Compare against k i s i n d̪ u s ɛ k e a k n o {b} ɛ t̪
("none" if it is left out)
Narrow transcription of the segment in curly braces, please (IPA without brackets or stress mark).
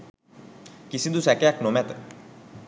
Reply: m